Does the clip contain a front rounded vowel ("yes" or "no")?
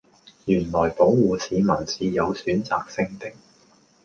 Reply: yes